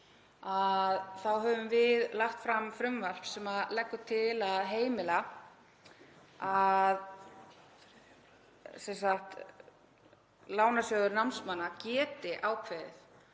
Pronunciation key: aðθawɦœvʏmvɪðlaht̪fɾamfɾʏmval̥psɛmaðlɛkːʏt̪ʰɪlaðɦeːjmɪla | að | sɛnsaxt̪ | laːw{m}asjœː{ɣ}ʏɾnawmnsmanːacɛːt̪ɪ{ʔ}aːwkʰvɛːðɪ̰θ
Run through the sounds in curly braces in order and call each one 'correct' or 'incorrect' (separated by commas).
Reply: incorrect, incorrect, correct